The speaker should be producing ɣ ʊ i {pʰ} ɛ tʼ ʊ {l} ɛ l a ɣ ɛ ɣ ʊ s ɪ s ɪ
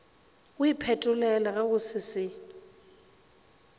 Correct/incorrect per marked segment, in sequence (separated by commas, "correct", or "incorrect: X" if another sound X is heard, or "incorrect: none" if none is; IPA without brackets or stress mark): correct, correct